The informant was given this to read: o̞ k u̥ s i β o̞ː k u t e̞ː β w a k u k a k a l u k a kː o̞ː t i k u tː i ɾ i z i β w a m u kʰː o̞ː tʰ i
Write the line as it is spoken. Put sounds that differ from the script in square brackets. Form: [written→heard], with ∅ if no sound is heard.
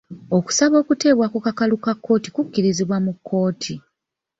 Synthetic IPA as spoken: o̞ k u̥ s [i→a] β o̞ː k u t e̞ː β w a k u k a k a l u k a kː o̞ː t i k u [tː→kː] i ɾ i z i β w a m u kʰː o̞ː tʰ i